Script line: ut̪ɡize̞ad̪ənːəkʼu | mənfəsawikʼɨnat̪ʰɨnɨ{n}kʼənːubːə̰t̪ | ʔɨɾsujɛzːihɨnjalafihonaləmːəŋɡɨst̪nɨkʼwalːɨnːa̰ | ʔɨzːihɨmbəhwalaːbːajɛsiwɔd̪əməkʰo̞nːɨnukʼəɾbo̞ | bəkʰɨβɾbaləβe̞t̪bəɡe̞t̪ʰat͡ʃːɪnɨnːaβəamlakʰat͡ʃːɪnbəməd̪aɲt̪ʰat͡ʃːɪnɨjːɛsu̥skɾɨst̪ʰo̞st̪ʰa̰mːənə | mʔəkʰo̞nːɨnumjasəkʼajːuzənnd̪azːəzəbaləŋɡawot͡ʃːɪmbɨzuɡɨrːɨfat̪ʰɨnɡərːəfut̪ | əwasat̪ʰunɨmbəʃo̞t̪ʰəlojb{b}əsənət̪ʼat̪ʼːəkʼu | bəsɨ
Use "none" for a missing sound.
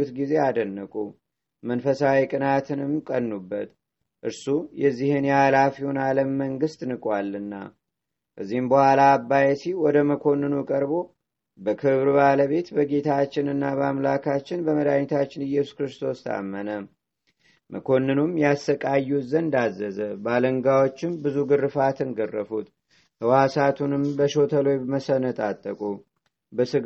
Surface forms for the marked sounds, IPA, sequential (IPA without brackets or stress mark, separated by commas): m, m